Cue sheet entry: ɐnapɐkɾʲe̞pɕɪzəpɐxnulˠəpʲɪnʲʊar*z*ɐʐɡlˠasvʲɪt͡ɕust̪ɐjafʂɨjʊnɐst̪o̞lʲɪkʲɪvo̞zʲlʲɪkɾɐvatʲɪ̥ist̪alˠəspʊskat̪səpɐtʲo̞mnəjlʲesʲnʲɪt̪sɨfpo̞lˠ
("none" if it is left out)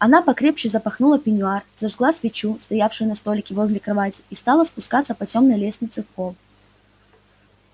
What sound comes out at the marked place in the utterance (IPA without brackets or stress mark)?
z